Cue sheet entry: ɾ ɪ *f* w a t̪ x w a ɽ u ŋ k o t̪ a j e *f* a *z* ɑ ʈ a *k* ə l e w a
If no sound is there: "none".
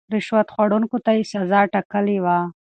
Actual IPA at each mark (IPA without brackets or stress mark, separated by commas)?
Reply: ʃ, s, z, k